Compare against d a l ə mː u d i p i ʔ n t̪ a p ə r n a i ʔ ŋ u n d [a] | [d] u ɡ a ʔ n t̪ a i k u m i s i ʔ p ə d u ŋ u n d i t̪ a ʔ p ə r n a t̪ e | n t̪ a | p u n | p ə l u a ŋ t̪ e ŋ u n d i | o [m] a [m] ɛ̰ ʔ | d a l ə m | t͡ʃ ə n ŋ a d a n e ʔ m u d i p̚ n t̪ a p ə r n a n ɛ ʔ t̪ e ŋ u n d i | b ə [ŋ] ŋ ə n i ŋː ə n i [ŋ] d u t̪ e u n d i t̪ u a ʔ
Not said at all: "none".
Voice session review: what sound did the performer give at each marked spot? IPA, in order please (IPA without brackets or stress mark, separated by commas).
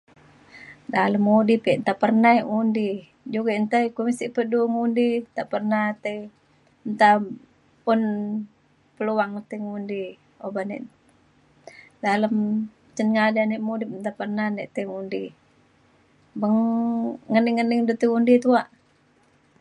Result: i, d͡ʒ, b, n, ŋ, ŋ